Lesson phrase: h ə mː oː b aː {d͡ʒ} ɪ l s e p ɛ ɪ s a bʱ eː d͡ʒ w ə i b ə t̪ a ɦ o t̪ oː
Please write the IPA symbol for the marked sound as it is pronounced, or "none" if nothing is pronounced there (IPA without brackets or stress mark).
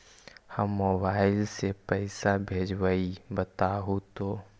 none